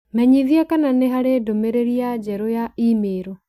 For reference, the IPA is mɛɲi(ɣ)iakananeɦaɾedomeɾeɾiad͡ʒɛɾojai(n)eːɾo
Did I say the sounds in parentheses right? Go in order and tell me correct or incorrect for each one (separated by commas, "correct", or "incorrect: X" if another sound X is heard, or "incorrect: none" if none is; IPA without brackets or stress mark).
incorrect: ð, incorrect: m